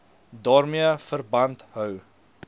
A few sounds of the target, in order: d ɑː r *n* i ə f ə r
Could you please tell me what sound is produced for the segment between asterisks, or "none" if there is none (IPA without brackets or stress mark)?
m